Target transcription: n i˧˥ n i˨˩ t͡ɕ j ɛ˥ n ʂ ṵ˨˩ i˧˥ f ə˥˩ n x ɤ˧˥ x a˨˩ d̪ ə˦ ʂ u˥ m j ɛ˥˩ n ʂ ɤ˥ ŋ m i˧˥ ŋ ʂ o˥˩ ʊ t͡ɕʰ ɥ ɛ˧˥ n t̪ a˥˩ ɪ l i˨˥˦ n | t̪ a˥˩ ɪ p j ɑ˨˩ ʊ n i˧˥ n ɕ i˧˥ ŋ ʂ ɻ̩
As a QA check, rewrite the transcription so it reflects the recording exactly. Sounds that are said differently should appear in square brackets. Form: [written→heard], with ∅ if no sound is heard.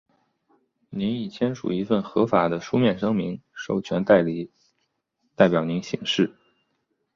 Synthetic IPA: n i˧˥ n i˨˩ [t͡ɕ→t͡ɕʰ] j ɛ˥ n ʂ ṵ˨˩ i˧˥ f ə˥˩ n x ɤ˧˥ [x→f] a˨˩ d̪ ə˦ ʂ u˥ m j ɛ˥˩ n ʂ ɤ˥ ŋ m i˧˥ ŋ ʂ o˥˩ ʊ t͡ɕʰ ɥ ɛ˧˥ n t̪ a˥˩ ɪ l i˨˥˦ [n→∅] | t̪ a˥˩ ɪ p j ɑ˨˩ ʊ n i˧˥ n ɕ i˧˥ ŋ ʂ ɻ̩